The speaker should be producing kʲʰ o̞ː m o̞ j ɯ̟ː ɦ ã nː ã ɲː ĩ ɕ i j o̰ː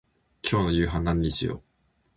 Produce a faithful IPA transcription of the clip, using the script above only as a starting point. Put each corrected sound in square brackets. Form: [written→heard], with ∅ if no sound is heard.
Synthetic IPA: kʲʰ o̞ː [m→n] o̞ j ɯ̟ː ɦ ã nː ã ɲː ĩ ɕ i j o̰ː